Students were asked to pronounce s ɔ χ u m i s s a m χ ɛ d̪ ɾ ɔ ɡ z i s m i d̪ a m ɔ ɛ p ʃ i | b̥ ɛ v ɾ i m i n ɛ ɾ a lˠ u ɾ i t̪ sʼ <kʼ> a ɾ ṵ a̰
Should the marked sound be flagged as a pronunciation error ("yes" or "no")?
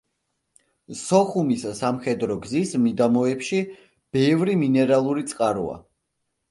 yes